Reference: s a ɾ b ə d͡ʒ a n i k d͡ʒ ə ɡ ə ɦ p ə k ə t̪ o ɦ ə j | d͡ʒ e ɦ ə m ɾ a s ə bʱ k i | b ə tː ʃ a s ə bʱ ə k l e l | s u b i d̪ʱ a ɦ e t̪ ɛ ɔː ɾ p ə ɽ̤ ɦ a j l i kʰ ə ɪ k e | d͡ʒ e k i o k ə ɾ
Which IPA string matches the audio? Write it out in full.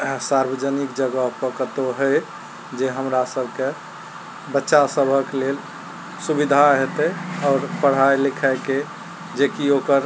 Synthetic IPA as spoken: s a ɾ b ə d͡ʒ ə n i k d͡ʒ ə ɡ ə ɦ p ə k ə t̪ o ɦ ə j | d͡ʒ e ɦ ə m ɾ a s ə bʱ k e | b ə tː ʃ a s ə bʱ ə k l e l | s u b i d̪ʱ a ɦ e t̪ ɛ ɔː ɾ p ə ɽ̤ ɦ a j l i kʰ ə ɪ k e | d͡ʒ e k i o k ə ɾ